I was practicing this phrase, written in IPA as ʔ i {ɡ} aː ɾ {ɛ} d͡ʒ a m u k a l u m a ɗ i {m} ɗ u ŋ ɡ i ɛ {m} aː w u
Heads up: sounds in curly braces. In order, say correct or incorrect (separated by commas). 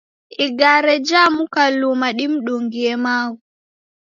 correct, correct, correct, correct